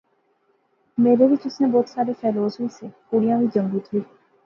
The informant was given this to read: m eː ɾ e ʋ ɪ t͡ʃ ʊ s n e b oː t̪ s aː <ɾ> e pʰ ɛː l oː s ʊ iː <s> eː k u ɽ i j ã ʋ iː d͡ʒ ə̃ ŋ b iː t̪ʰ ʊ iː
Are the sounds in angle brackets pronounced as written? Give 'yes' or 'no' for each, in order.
yes, yes

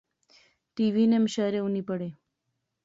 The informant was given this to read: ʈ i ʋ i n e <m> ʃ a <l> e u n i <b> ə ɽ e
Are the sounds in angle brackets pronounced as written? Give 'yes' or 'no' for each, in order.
yes, no, no

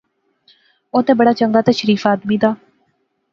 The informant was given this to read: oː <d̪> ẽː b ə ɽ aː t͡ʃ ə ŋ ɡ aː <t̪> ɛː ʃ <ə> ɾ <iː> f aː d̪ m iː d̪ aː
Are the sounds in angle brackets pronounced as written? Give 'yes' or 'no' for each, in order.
no, yes, yes, yes

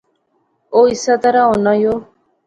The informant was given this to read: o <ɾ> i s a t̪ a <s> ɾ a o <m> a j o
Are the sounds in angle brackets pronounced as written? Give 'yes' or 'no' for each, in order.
no, no, no

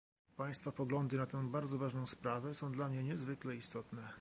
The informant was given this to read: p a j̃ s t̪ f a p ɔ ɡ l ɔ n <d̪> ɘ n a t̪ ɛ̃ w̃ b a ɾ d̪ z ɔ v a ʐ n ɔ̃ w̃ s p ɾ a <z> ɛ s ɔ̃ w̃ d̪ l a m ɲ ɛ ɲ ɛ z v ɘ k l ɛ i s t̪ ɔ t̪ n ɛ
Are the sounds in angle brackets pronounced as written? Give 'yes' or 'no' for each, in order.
yes, no

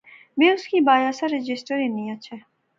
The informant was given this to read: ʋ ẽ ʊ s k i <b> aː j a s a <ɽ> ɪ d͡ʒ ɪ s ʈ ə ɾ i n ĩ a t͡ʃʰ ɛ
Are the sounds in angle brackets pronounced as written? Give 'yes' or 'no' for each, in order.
yes, no

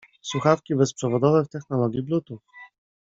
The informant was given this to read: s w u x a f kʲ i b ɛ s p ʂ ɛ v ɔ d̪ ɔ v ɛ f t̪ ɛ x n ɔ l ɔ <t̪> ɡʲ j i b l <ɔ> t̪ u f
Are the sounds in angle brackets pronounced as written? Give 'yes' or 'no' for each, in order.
no, no

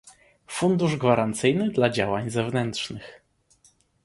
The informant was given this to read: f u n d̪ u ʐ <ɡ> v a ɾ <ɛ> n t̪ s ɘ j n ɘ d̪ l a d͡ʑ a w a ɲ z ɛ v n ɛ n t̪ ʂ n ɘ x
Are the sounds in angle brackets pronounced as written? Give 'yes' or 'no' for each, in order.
yes, no

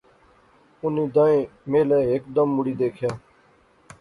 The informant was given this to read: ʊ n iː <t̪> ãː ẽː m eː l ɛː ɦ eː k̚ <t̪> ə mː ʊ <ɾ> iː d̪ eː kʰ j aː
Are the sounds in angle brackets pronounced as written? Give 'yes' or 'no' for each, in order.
no, no, no

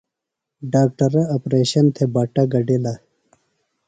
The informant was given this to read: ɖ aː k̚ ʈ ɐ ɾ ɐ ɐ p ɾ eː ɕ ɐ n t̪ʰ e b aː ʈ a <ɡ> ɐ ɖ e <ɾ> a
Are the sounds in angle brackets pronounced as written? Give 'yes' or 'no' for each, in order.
yes, no

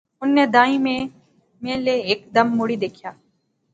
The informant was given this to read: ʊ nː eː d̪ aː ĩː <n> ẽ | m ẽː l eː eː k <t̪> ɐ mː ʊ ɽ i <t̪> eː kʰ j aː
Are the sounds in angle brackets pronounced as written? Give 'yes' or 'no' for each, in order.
no, no, no

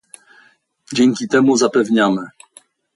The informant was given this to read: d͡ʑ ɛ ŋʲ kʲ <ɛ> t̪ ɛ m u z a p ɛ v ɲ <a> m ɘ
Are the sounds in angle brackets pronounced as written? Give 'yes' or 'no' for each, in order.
no, yes

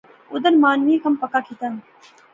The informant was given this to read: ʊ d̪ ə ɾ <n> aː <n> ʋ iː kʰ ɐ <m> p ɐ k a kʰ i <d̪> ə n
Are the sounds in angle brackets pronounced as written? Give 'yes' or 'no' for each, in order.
no, yes, yes, no

